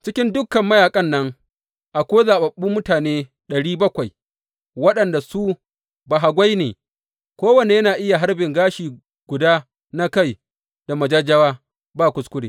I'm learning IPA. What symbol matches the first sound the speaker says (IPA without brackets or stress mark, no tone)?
t͡ʃ